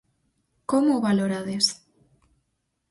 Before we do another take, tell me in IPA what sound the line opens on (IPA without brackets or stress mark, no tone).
k